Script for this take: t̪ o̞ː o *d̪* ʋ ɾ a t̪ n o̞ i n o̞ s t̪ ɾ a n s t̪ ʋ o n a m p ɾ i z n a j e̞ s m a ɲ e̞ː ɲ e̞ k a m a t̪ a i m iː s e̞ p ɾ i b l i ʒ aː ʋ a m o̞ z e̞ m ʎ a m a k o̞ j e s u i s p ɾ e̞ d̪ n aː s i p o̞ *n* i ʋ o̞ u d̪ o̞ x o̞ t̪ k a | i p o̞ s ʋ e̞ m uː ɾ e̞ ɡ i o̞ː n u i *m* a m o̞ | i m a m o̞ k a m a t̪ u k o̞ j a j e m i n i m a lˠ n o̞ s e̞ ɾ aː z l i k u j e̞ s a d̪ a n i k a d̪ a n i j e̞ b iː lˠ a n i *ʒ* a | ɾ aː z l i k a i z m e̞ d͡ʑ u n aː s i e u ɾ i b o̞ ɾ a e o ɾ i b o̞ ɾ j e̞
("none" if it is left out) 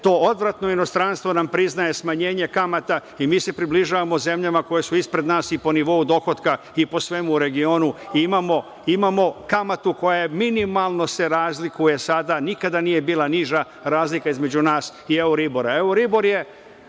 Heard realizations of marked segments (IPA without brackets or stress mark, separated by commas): d̪, n, m, ʒ